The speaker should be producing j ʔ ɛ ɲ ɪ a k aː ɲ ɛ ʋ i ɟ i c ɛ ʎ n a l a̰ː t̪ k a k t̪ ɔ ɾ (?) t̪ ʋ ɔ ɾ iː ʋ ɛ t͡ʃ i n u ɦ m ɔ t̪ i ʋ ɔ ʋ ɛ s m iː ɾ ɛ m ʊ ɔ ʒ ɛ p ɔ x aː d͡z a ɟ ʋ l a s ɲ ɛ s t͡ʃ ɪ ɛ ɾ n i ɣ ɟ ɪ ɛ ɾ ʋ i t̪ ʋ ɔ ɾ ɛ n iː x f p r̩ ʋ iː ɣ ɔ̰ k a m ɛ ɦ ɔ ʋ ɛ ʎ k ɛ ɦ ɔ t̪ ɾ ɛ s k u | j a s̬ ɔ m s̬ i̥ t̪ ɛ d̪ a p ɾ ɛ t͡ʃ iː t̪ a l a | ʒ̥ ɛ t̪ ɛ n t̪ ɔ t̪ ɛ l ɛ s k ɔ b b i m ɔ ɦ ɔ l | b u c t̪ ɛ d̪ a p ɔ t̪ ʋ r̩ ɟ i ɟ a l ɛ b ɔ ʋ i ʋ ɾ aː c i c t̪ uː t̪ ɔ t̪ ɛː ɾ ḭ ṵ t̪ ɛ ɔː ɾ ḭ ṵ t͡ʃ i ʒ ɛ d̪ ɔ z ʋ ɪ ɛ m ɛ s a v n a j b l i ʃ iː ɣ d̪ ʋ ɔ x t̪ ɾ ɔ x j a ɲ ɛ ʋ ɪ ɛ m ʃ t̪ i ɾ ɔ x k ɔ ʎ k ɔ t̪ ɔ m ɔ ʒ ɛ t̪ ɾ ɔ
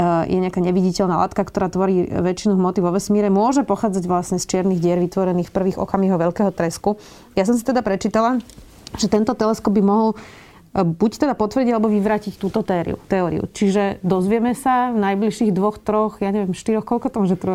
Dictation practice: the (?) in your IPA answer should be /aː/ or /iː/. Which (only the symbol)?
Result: aː